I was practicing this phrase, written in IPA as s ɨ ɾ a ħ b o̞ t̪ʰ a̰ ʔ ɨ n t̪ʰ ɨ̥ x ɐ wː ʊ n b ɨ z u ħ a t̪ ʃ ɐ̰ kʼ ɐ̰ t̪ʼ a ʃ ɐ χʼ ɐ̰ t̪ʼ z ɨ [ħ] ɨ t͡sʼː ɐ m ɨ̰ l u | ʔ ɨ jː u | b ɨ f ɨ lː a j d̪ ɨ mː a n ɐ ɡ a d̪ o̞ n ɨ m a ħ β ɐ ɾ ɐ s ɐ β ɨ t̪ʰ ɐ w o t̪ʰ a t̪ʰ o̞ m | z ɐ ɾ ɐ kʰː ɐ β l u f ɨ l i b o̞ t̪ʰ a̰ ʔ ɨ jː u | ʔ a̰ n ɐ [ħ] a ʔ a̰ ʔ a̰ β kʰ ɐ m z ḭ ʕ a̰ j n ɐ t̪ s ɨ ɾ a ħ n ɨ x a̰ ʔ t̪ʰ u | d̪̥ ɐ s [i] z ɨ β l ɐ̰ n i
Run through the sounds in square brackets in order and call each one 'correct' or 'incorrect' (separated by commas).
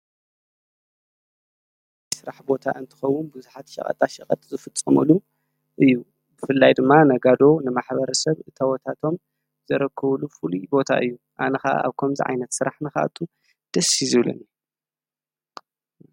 incorrect, incorrect, correct